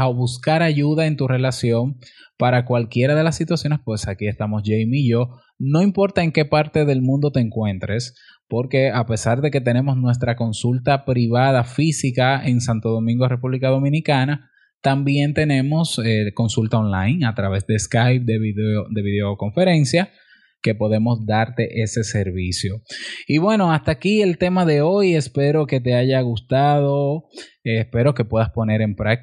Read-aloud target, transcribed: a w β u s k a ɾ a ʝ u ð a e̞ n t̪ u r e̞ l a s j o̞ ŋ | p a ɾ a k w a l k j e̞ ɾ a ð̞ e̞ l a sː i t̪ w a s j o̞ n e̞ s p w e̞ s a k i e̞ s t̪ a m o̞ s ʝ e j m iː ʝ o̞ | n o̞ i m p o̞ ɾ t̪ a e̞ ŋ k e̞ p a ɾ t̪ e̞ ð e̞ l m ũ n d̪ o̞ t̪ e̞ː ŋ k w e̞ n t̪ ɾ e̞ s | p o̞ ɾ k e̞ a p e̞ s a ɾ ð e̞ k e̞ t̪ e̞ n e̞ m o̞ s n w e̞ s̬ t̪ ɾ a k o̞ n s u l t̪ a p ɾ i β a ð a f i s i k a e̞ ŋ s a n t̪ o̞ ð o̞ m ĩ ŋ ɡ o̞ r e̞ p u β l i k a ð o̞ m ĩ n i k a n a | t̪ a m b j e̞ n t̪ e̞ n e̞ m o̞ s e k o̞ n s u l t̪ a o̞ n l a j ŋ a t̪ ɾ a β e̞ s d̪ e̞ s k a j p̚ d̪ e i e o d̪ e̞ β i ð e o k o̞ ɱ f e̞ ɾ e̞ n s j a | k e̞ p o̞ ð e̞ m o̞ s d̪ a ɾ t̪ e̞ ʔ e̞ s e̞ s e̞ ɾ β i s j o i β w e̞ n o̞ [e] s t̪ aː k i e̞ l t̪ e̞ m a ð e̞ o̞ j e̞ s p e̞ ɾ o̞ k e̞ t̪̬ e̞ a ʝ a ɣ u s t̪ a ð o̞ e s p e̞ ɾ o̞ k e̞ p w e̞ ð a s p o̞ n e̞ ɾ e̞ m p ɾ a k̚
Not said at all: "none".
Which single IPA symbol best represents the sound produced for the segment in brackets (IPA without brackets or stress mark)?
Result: a